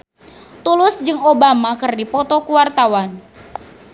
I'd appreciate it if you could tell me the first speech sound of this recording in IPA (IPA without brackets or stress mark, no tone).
t̪